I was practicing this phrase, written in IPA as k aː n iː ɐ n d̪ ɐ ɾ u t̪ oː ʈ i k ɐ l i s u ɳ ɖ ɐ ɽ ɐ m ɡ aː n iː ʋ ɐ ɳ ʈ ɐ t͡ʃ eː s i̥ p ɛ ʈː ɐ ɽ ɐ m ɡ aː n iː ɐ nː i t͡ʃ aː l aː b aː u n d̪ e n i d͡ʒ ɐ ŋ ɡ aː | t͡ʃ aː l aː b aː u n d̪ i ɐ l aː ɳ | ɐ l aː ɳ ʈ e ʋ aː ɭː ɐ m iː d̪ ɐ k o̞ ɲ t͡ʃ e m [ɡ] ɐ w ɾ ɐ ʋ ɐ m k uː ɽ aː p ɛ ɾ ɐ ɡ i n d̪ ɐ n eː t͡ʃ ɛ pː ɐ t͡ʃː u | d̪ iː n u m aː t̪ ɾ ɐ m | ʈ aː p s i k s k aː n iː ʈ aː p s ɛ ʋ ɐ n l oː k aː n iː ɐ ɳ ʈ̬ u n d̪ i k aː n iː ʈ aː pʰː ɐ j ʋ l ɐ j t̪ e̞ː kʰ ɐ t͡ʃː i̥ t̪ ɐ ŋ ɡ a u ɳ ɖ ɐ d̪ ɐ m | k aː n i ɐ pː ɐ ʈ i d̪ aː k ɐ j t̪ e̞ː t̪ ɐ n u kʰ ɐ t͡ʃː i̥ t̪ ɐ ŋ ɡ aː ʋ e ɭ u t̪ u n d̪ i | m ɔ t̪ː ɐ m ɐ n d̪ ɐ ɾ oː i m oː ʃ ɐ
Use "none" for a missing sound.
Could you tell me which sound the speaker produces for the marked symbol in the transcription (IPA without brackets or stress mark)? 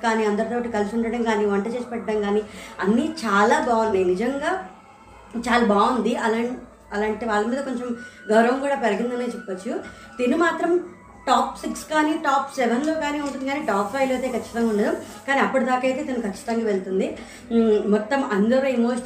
ɡ